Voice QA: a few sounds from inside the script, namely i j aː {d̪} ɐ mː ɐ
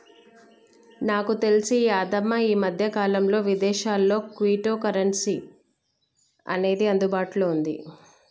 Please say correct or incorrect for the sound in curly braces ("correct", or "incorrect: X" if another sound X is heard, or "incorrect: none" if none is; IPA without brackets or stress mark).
correct